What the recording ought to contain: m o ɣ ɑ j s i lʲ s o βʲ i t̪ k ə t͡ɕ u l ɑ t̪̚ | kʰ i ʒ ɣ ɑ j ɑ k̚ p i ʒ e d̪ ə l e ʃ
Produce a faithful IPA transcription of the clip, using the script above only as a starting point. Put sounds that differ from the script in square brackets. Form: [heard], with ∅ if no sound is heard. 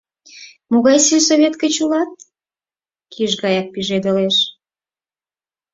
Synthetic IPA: m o ɣ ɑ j s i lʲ s o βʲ [e] t̪ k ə t͡ɕ u l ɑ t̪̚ | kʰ i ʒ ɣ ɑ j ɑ k̚ p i ʒ e d̪ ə l e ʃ